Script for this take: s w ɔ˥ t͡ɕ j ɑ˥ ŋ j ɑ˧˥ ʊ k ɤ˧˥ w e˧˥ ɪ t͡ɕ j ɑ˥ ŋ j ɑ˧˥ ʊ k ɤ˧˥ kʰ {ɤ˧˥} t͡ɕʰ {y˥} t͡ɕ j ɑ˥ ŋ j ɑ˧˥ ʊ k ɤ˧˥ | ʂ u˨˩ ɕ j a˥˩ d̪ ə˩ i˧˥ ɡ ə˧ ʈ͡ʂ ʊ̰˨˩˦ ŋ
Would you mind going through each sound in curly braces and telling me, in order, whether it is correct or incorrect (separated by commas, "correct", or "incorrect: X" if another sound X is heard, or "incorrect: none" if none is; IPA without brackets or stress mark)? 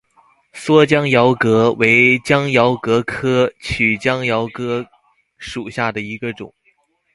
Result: incorrect: ɤ˥, incorrect: y˨˩